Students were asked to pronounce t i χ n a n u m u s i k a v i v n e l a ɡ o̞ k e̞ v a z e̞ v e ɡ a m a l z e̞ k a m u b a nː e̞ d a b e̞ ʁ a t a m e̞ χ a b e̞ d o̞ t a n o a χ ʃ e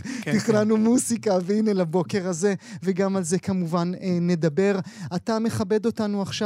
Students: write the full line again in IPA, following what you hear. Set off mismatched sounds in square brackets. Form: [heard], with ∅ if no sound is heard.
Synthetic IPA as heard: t i χ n a n u m u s i k a v i [∅] n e l a [b] o̞ k e̞ [ʁ] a z e̞ v e ɡ a m a l z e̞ k a m u [v] a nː e̞ d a b e̞ ʁ a t a m e̞ χ a b e̞ d o̞ t a n [u] a χ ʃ [a]